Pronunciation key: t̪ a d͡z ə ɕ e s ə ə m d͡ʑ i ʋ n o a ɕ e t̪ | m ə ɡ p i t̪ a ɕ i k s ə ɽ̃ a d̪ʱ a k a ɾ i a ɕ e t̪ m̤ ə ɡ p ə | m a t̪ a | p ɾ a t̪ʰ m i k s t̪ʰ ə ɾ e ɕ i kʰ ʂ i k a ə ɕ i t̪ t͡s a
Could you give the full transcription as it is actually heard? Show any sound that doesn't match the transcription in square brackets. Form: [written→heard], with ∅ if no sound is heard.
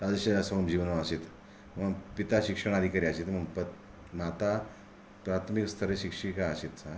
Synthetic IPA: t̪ a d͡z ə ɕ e s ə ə m d͡ʑ i ʋ n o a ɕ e t̪ | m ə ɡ p i t̪ a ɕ i k [s→ʂ] ə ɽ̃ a d̪ʱ [a→i] k a ɾ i a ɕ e t̪ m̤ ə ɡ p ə | m a t̪ a | p ɾ a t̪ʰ m i k s t̪ʰ ə ɾ e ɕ i [kʰ→k] ʂ i k a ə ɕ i t̪ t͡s a